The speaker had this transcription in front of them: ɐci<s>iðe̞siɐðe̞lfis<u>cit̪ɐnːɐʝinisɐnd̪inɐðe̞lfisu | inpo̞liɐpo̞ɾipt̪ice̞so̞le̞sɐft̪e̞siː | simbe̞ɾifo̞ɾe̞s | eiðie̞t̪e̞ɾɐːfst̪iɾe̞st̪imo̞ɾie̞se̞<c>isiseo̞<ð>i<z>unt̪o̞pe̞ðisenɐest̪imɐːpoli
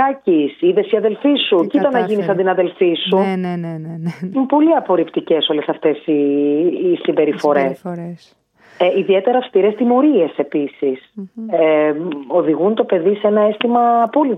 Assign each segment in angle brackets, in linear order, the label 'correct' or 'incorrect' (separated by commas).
correct, correct, incorrect, correct, incorrect